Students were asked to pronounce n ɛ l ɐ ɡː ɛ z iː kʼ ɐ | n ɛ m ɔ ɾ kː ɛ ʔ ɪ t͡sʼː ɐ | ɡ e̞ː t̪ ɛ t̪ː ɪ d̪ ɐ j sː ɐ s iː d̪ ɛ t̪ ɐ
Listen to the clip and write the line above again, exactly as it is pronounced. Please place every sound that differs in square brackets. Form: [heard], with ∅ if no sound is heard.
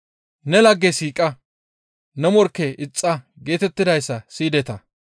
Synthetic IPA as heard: n ɛ l ɐ ɡː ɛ [s] iː kʼ ɐ | n ɛ m ɔ ɾ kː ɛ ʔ ɪ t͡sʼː ɐ | ɡ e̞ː t̪ ɛ t̪ː ɪ d̪ ɐ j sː ɐ s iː d̪ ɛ t̪ ɐ

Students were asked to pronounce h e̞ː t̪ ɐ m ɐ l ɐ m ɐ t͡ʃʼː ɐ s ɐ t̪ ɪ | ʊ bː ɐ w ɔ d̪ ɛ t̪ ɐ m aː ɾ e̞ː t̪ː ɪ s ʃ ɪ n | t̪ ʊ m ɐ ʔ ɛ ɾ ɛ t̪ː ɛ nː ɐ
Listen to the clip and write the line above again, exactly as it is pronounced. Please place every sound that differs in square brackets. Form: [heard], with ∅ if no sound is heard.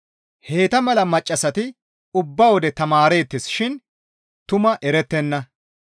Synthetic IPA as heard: h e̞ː t̪ ɐ m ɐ l ɐ m ɐ t͡ʃʼː ɐ s ɐ t̪ ɪ | ʊ bː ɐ w ɔ d̪ ɛ t̪ ɐ m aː ɾ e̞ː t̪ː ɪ s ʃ ɪ n | t̪ ʊ m ɐ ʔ ɛ ɾ ɛ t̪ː ɛ nː ɐ

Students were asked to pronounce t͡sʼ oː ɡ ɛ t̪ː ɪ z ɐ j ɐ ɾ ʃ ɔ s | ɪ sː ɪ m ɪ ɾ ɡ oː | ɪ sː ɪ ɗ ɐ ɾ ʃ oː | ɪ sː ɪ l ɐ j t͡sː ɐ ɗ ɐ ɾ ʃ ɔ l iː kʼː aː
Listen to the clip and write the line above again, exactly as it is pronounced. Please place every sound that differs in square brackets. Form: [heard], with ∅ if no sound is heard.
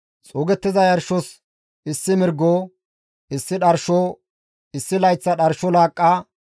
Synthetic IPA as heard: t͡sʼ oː ɡ ɛ t̪ː ɪ z ɐ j ɐ ɾ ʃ ɔ s | ɪ sː ɪ m ɪ ɾ ɡ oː | ɪ sː ɪ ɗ ɐ ɾ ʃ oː | ɪ sː ɪ l ɐ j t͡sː ɐ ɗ ɐ ɾ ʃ ɔ l [aː] kʼː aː

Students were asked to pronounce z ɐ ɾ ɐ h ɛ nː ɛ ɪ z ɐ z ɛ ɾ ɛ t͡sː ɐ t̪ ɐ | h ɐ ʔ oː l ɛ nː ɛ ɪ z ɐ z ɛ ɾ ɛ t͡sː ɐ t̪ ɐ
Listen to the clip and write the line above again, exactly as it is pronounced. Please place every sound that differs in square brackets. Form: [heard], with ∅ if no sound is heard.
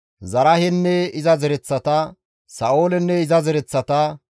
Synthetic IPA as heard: z ɐ ɾ ɐ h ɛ nː ɛ ɪ z ɐ z ɛ ɾ ɛ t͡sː ɐ t̪ ɐ | [s] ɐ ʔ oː l ɛ nː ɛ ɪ z ɐ z ɛ ɾ ɛ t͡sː ɐ t̪ ɐ

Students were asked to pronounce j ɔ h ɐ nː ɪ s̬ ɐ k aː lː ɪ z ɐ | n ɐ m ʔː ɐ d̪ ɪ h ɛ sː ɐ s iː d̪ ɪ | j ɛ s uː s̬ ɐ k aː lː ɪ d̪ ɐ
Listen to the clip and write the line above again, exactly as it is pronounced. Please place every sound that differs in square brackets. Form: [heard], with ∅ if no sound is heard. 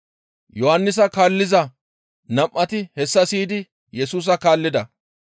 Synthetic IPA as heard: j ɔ h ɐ nː ɪ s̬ ɐ k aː lː ɪ z ɐ | n ɐ m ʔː ɐ [t̪] ɪ h ɛ sː ɐ s iː d̪ ɪ | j ɛ s uː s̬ ɐ k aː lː ɪ d̪ ɐ

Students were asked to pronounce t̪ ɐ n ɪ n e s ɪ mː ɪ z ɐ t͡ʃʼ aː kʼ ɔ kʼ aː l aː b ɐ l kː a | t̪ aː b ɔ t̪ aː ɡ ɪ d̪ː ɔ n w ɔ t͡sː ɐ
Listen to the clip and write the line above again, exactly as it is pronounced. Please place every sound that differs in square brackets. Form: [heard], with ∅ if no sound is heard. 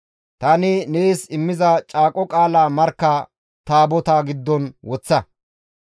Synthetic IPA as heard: t̪ ɐ n ɪ n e s ɪ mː ɪ z ɐ t͡ʃʼ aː kʼ ɔ kʼ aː l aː [m] ɐ [ɾ] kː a | t̪ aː b ɔ t̪ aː ɡ ɪ d̪ː ɔ n w ɔ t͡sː ɐ

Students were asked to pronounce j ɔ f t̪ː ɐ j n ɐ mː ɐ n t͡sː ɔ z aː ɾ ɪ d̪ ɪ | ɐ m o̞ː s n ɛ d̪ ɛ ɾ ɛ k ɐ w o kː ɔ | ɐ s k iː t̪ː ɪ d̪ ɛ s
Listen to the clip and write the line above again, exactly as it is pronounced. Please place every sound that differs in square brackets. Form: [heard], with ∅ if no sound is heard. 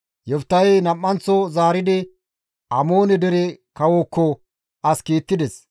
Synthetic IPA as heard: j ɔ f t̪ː ɐ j n ɐ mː ɐ n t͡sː ɔ z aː ɾ ɪ d̪ ɪ | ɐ m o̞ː [∅] n ɛ d̪ ɛ ɾ ɛ k ɐ w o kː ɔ | ɐ s k iː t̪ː ɪ d̪ ɛ s

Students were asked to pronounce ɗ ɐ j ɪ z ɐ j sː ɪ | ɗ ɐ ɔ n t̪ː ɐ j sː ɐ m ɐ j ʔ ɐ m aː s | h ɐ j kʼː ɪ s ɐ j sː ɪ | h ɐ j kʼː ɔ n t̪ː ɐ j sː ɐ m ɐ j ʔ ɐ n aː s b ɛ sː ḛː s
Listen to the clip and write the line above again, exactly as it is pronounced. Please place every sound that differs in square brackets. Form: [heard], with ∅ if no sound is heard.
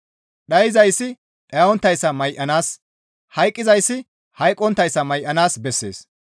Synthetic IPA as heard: ɗ ɐ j ɪ z ɐ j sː ɪ | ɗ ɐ ɔ n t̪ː ɐ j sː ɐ m ɐ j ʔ ɐ [n] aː s | h ɐ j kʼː ɪ [z] ɐ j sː ɪ | h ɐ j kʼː ɔ n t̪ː ɐ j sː ɐ m ɐ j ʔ ɐ n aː s b ɛ sː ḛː s

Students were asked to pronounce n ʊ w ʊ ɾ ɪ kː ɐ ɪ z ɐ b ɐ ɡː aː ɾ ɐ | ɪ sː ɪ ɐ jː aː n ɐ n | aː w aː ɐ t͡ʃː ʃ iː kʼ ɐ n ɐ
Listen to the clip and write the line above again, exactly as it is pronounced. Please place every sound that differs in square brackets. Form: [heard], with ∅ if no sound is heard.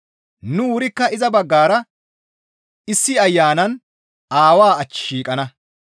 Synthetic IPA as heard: n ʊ w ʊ ɾ ɪ kː ɐ ɪ z ɐ b ɐ ɡː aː ɾ ɐ | ɪ sː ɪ ɐ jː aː n ɐ n | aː w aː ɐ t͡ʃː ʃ iː kʼ ɐ n ɐ

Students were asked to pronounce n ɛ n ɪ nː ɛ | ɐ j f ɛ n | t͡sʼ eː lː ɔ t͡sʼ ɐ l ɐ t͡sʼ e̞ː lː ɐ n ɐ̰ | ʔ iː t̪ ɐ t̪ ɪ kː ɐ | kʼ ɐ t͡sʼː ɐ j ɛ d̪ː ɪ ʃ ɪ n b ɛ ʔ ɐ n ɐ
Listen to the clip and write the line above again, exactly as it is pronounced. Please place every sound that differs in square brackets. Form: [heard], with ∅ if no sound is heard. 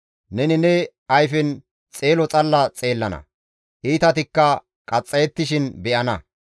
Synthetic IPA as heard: n ɛ n ɪ [n] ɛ | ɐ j f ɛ n | t͡sʼ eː [l] ɔ t͡sʼ ɐ [lː] ɐ t͡sʼ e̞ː lː ɐ n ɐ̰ | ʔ iː t̪ ɐ t̪ ɪ kː ɐ | kʼ ɐ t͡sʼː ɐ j ɛ [t̪ː] ɪ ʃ ɪ n b ɛ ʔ ɐ n ɐ

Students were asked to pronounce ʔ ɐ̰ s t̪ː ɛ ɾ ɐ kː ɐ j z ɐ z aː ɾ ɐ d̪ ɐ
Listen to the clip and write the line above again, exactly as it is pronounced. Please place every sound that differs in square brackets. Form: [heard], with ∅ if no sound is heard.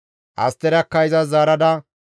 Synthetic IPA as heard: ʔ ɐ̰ s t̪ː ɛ ɾ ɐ kː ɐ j z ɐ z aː ɾ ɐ d̪ ɐ

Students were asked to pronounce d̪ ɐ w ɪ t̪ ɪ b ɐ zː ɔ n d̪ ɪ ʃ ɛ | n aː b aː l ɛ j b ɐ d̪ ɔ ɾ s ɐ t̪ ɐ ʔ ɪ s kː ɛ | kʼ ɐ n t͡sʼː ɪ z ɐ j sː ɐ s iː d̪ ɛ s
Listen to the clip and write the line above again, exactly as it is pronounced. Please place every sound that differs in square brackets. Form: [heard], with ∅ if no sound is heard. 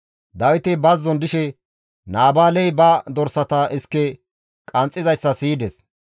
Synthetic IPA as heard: d̪ ɐ w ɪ t̪ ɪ b ɐ zː ɔ n d̪ ɪ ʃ ɛ | n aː b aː l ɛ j b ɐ d̪ ɔ ɾ s ɐ t̪ ɐ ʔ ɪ s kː ɛ | kʼ ɐ n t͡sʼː ɪ z ɐ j sː ɐ s iː d̪ ɛ s

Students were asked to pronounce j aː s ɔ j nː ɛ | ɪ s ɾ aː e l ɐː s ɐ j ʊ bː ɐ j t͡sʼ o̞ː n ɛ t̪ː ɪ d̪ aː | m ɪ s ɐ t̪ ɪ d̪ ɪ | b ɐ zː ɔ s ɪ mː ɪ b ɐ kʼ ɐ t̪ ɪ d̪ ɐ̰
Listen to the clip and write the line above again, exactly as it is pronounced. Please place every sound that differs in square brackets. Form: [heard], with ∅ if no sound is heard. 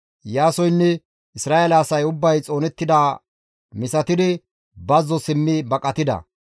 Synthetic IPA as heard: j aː s ɔ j nː ɛ | ɪ s ɾ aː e l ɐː s ɐ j ʊ bː ɐ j t͡sʼ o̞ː n ɛ t̪ː ɪ d̪ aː | m ɪ s ɐ t̪ ɪ d̪ ɪ | b ɐ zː ɔ s ɪ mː ɪ b ɐ kʼ ɐ t̪ ɪ d̪ ɐ̰

